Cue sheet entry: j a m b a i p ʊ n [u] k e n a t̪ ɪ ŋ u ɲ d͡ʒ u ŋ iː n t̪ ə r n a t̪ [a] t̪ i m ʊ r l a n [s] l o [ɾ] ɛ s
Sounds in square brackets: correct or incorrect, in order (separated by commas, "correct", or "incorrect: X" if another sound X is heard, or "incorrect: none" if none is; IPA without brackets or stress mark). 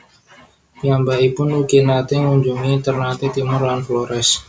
correct, incorrect: i, incorrect: f, correct